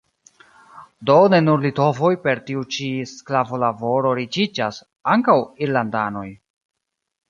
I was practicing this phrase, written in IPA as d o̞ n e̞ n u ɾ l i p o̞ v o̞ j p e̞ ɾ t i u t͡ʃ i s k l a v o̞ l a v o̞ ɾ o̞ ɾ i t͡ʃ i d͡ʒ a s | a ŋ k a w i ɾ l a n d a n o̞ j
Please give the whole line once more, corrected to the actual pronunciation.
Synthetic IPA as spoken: d o̞ n e̞ n u ɾ l i t o̞ v o̞ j p e̞ ɾ t i u t͡ʃ i s k l a v o̞ l a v o̞ ɾ o̞ ɾ i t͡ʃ i d͡ʒ a s | a ŋ k a w i ɾ l a n d a n o̞ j